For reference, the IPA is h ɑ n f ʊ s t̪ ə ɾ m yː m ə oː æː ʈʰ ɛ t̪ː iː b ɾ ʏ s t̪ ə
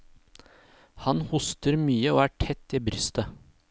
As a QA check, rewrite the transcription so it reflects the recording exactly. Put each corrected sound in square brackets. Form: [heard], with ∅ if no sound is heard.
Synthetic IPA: h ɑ n [h] ʊ s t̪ ə ɾ m yː [∅] ə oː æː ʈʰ ɛ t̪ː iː b ɾ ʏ s t̪ ə